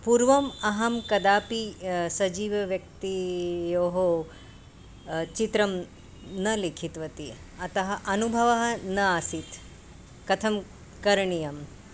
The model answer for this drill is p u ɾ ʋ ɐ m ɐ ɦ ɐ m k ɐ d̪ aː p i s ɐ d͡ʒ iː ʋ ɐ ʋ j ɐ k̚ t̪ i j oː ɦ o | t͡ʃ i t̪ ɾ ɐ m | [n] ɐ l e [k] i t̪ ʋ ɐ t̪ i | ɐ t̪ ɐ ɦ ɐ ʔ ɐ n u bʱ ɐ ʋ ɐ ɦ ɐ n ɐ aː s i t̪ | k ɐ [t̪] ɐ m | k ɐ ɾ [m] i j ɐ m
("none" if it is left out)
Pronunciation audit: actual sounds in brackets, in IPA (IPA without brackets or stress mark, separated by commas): n, kʰ, t̪ʰ, ɳ